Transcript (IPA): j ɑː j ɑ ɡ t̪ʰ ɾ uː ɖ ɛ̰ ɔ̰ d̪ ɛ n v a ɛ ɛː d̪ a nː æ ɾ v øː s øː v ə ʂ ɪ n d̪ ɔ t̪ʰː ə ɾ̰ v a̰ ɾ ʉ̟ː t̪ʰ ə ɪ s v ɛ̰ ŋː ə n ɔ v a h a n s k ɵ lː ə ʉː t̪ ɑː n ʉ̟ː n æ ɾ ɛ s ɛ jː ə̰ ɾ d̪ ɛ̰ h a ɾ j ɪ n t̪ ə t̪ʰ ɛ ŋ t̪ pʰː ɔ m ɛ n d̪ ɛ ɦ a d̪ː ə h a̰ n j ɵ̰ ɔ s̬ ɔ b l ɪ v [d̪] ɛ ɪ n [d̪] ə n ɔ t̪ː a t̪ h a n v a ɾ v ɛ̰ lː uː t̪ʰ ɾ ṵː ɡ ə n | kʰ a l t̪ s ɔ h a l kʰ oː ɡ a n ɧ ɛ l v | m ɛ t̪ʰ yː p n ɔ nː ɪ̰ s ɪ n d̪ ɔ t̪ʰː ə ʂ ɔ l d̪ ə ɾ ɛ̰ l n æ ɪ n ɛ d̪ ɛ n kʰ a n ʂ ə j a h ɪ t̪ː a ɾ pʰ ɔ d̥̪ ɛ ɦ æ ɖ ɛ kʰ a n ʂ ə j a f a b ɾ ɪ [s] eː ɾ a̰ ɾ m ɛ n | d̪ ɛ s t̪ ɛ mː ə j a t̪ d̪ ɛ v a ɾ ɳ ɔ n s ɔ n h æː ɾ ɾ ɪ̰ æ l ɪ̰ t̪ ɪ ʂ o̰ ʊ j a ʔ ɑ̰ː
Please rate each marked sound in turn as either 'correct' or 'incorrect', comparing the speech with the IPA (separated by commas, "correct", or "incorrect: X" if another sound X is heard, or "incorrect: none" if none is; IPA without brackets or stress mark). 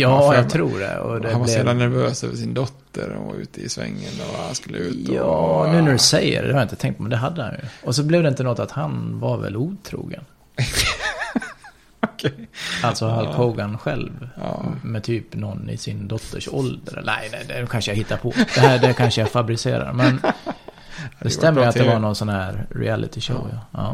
correct, incorrect: t̪, correct